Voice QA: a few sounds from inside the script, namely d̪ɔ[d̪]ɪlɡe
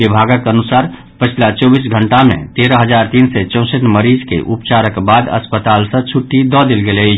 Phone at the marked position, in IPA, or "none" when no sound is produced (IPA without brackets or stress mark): d̪